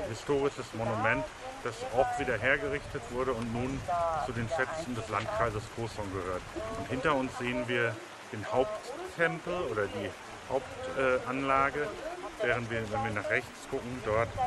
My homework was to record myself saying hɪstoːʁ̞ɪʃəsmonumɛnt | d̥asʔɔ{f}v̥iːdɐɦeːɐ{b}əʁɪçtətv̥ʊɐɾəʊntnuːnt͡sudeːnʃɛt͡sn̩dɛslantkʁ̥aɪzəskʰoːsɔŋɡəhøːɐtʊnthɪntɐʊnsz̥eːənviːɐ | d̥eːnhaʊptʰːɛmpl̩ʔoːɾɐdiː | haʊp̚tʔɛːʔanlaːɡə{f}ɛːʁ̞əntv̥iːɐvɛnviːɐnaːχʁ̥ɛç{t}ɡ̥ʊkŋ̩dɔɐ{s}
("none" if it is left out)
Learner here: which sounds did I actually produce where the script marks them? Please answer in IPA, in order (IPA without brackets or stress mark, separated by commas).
f, ɡ, v, t͡s, t